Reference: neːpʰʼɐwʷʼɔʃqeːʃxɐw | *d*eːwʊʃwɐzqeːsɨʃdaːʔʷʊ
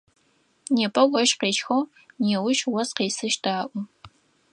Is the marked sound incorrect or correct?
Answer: incorrect